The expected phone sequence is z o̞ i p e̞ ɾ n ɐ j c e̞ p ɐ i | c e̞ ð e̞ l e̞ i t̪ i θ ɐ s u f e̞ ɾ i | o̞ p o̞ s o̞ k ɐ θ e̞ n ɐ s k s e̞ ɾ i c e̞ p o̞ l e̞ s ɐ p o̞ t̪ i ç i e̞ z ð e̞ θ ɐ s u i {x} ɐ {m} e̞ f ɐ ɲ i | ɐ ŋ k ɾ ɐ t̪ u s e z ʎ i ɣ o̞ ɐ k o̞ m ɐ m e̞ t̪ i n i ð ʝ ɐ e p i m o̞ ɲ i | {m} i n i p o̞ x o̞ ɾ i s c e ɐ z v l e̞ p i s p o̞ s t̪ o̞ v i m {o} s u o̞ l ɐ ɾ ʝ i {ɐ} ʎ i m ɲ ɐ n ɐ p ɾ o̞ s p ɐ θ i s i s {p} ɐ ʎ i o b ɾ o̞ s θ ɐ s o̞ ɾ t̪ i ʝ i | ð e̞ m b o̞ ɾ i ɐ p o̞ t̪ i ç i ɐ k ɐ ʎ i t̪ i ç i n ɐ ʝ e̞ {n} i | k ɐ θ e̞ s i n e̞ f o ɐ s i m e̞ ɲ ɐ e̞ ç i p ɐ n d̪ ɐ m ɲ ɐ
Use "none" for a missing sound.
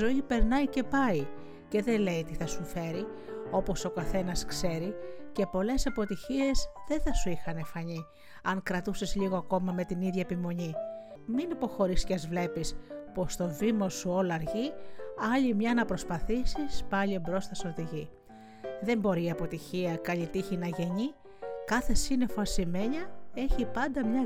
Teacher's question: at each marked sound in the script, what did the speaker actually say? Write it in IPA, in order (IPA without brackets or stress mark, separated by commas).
x, n, m, o, ɐ, p, ɲ